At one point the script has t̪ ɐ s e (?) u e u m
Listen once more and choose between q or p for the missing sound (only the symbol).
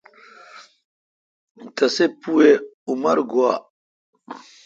p